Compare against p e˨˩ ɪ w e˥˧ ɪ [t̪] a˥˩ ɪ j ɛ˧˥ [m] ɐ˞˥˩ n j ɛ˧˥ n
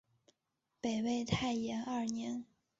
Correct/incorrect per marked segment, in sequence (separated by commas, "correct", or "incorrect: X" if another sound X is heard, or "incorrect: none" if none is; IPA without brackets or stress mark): incorrect: t̪ʰ, incorrect: n